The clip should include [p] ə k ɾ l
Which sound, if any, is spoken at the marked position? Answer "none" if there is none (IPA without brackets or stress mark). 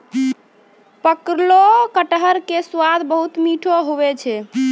p